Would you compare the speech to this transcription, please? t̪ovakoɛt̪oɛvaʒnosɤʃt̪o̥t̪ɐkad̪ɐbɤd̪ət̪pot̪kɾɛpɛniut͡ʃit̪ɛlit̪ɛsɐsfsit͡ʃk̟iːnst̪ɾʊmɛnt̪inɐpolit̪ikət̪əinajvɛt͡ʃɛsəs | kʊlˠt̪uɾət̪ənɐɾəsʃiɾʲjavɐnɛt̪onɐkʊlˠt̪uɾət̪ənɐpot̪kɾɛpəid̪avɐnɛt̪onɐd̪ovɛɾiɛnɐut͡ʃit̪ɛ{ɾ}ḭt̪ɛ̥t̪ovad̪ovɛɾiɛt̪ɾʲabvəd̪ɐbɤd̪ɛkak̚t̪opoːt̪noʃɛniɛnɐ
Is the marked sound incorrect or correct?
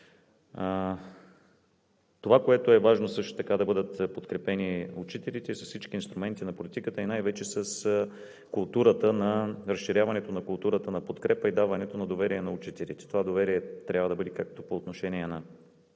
incorrect